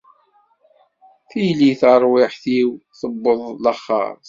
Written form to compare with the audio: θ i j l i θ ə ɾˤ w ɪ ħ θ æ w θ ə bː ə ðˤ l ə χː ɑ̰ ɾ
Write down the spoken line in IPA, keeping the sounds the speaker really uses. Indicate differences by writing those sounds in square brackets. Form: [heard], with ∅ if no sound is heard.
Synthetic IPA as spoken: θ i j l i θ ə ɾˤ w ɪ ħ θ [i] w θ ə bː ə ðˤ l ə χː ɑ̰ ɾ